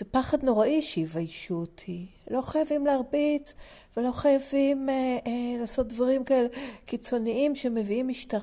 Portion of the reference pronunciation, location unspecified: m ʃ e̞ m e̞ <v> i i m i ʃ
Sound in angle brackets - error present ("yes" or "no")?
no